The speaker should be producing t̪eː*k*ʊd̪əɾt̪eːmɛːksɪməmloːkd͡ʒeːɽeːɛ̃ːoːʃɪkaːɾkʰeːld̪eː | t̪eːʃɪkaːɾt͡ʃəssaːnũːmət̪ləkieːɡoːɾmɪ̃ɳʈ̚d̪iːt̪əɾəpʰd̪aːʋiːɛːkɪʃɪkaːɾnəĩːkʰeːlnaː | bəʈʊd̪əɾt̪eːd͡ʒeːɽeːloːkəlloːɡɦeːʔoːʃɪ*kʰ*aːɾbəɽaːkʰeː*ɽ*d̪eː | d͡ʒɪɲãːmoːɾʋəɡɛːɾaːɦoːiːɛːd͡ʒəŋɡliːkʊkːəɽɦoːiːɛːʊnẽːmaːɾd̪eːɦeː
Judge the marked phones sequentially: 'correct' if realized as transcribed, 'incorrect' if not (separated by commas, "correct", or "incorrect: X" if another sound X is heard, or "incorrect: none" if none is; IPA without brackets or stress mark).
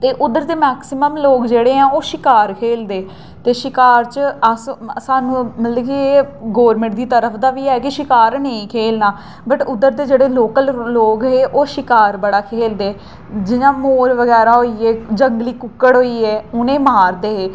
incorrect: ʔ, incorrect: k, incorrect: l